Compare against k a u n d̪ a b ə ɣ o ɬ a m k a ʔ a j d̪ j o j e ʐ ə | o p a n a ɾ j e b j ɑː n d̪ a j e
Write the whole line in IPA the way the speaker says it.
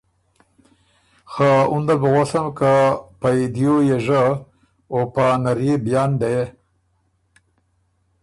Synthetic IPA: x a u n d̪ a b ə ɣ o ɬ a m k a p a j d̪ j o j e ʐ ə | o p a n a ɾ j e b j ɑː n d̪ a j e